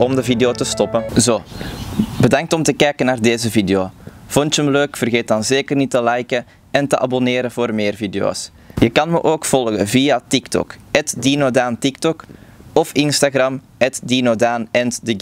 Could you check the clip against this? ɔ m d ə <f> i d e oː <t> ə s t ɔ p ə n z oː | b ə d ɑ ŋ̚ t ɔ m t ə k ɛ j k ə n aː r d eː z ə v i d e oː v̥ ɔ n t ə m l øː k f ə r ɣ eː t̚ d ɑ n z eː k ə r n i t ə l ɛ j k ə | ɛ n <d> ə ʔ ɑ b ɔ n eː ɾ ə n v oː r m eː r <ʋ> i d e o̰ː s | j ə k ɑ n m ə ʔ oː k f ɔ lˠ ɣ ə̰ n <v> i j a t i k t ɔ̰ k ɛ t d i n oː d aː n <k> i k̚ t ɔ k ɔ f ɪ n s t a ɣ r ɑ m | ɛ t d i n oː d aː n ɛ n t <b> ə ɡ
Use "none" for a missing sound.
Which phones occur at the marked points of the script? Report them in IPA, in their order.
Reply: v, t, t, v, v, t, d

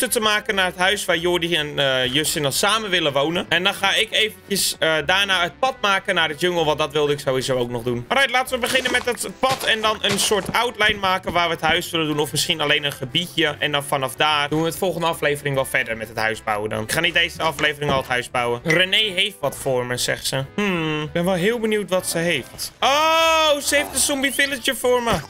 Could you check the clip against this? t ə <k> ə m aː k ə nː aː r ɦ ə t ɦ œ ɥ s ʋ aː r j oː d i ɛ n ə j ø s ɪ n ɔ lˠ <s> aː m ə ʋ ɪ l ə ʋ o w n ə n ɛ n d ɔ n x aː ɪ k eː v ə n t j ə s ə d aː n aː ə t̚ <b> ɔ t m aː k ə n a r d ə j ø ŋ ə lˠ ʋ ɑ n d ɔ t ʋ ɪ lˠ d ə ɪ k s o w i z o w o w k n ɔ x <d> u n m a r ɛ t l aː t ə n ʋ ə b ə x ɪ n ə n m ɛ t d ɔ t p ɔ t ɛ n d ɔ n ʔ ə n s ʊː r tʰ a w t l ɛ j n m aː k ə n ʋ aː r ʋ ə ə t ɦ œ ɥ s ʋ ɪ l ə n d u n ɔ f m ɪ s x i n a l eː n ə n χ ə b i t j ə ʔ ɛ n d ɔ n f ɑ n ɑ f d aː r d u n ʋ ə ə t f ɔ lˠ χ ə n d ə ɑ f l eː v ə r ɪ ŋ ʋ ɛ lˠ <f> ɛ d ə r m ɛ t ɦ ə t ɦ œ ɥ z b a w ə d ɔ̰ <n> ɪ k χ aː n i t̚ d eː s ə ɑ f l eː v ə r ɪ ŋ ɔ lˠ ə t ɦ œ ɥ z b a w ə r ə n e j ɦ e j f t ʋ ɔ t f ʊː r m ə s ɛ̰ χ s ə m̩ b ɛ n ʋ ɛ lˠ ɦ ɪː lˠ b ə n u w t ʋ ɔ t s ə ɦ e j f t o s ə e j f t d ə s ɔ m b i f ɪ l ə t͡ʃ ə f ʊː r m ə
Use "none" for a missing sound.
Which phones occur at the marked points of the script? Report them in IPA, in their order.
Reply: t, s, p, d, f, n

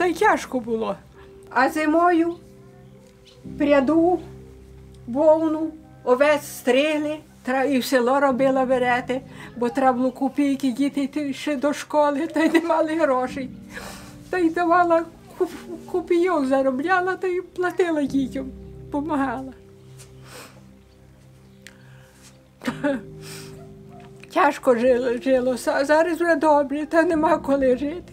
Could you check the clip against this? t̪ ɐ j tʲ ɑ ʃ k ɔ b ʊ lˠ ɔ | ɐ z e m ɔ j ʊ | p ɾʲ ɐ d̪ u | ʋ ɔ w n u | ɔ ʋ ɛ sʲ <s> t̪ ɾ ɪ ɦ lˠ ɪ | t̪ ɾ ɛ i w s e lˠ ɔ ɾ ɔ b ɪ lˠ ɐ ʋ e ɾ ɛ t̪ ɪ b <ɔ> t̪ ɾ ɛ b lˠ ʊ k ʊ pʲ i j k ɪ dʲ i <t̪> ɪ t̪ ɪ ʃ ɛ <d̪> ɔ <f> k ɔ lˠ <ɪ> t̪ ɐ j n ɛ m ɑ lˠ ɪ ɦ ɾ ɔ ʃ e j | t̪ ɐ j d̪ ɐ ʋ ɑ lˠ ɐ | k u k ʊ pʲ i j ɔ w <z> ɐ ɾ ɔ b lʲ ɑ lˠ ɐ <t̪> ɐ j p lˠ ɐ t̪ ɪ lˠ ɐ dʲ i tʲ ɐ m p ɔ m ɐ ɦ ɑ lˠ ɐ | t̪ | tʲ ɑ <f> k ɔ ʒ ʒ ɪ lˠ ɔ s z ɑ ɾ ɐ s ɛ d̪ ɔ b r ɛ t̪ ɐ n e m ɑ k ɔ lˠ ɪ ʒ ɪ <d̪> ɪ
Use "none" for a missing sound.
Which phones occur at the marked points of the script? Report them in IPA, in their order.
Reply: s, ɔ, t̪, d̪, ʃ, ɪ, z, t̪, ʃ, t̪

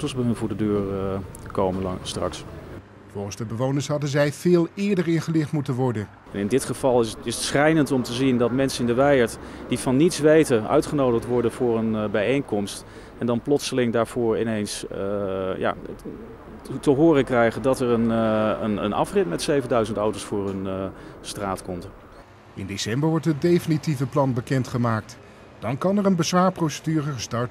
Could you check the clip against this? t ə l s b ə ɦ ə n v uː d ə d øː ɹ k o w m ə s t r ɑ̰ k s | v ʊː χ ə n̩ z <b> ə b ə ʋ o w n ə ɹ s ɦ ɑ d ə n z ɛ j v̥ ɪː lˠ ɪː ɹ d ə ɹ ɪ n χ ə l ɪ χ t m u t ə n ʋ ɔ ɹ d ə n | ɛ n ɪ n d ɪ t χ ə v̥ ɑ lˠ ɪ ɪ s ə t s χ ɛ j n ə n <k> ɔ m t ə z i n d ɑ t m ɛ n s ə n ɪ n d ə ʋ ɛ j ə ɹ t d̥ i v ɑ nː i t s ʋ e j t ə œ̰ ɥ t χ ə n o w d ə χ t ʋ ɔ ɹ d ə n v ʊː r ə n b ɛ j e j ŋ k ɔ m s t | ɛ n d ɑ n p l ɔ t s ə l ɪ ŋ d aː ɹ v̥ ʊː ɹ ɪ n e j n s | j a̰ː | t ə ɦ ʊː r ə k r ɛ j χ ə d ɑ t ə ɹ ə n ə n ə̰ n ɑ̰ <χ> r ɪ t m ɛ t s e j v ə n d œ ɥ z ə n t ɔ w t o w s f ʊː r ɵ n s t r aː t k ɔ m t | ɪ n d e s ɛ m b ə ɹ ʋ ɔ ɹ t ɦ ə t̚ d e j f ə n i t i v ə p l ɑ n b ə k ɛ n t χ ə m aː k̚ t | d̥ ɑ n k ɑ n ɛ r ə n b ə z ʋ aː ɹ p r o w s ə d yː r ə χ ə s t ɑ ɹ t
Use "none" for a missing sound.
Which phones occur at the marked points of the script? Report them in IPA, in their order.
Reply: d, t, f

